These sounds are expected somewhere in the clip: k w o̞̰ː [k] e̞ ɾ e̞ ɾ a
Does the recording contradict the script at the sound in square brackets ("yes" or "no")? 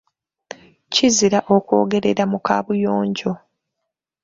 yes